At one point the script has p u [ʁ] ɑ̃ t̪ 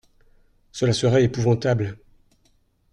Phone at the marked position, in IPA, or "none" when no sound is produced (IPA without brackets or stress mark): v